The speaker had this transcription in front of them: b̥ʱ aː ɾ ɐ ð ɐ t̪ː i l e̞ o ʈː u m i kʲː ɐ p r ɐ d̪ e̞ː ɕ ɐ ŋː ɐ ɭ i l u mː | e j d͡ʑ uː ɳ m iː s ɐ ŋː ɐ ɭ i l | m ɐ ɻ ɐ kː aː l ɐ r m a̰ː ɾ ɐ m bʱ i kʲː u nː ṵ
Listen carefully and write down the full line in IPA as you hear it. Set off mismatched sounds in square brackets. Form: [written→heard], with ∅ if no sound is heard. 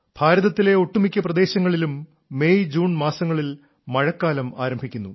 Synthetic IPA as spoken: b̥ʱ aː ɾ ɐ ð ɐ t̪ː i l e̞ o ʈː u m i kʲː ɐ p r ɐ d̪ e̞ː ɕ ɐ ŋː ɐ ɭ i l u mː | e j d͡ʑ uː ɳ m [iː→aː] s ɐ ŋː ɐ ɭ i l | m ɐ ɻ ɐ kː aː l ɐ [r→∅] m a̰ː ɾ ɐ m bʱ i kʲː u nː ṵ